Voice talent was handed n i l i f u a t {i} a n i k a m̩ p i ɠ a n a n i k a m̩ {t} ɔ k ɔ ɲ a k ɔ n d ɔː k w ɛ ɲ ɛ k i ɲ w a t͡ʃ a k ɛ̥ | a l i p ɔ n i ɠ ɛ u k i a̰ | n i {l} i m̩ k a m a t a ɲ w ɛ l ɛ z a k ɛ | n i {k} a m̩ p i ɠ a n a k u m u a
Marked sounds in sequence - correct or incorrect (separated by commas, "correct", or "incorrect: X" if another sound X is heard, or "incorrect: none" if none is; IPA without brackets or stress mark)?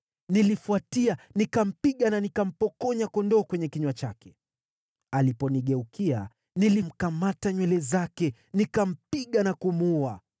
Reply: correct, incorrect: p, correct, correct